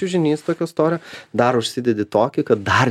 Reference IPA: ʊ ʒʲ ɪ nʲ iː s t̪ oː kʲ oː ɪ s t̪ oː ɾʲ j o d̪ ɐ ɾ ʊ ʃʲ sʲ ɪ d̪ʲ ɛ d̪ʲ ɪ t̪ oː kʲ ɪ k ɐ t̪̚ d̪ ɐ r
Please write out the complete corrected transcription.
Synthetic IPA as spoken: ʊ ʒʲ ɪ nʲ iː s t̪ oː kʲ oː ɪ s t̪ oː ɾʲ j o d̪ ɐ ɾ ʊ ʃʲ sʲ ɪ d̪ʲ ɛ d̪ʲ ɪ t̪ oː kʲ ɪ k ɐ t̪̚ d̪ ɐ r